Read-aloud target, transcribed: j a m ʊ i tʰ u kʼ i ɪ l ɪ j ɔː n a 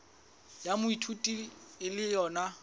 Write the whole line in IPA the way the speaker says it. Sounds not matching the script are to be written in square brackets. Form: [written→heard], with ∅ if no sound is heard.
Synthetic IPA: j a m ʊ i tʰ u [kʼ→tʼ] i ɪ l ɪ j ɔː n a

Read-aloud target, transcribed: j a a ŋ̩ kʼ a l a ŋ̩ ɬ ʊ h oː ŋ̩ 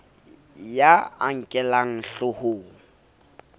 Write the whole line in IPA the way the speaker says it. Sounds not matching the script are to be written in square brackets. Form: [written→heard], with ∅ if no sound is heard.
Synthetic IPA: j a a ŋ̩ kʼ [a→ɛ] l a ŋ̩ ɬ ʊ h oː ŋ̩

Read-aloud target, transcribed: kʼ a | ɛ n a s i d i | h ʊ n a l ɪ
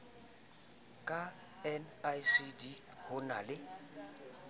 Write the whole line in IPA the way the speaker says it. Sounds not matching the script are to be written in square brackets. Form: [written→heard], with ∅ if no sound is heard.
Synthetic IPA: kʼ a | ɛ n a s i d i | h ʊ n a l ɪ

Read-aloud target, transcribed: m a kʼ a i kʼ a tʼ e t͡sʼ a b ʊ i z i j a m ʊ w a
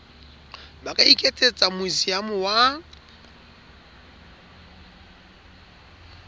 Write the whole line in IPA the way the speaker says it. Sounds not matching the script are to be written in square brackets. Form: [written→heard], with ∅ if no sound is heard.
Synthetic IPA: [m→b] a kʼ a i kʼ [a→e] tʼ e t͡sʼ a [b→m] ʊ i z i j a m ʊ w a

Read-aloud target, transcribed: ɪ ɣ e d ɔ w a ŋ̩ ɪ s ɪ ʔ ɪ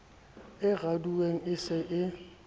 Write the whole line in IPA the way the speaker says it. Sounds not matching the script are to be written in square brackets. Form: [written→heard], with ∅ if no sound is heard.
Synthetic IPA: ɪ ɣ [e→a] d [ɔ→u] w [a→e] ŋ̩ ɪ s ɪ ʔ ɪ

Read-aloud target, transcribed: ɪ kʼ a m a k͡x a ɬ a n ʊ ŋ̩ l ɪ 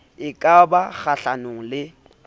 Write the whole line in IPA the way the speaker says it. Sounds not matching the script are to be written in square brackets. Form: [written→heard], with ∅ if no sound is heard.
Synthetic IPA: ɪ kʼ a [m→b] a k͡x a ɬ a n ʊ ŋ̩ l ɪ

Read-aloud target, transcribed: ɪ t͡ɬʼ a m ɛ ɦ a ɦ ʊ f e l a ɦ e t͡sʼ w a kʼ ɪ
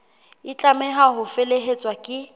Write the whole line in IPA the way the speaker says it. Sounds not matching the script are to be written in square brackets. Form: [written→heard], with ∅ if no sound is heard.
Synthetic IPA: ɪ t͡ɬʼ a m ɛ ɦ a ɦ ʊ f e l [a→e] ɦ e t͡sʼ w a kʼ ɪ

